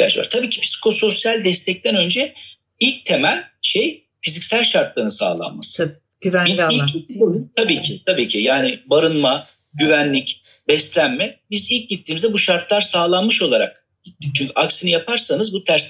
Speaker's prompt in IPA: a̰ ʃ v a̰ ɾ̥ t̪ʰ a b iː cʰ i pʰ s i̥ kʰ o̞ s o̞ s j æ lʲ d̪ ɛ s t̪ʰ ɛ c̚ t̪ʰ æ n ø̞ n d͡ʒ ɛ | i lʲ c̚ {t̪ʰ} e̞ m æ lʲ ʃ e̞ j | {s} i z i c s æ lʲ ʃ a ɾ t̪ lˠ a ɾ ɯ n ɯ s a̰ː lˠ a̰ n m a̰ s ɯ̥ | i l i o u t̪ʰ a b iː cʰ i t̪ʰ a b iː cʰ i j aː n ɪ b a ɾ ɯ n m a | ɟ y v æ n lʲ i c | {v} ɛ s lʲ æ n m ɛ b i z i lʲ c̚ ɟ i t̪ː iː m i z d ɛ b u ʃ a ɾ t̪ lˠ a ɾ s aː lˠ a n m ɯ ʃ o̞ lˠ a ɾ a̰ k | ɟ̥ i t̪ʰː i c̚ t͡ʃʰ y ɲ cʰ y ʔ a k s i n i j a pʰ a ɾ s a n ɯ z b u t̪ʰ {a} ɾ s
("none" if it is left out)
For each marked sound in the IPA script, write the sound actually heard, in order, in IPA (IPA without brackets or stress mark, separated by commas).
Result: t̪ʰ, f, b, æ